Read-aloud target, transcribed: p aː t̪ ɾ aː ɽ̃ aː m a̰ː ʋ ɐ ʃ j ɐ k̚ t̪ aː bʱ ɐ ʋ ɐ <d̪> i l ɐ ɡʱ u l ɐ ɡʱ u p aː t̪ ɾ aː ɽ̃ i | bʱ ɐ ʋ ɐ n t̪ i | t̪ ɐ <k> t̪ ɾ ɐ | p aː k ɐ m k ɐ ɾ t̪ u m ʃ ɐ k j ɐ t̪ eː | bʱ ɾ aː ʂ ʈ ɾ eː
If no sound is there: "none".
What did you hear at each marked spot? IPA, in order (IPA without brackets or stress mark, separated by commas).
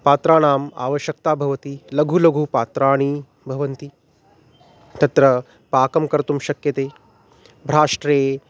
t̪, none